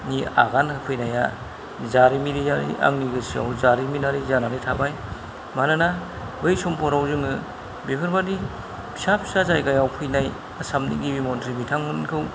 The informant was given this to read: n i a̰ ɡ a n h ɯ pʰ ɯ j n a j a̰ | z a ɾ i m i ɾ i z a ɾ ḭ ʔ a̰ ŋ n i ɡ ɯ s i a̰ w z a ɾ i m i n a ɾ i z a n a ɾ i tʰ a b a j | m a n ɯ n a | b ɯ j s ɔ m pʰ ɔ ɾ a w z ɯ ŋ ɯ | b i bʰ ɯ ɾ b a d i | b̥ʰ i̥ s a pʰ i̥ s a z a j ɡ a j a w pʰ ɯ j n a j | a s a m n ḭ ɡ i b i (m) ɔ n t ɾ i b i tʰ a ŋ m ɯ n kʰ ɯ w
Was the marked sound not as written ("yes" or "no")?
no